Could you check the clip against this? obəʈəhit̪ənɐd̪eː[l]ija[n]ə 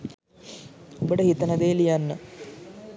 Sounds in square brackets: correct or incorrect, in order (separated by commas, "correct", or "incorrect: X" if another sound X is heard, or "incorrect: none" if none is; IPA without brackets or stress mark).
correct, incorrect: nː